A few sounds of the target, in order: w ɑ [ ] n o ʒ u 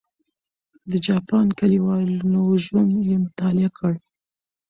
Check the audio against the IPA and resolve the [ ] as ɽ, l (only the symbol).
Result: l